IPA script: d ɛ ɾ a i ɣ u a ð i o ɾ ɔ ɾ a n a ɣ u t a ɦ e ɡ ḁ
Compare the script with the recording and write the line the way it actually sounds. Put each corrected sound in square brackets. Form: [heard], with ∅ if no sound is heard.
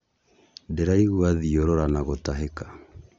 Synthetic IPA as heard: d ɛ ɾ a i ɣ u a ð i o ɾ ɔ ɾ a n a ɣ [o] t a ɦ e [k] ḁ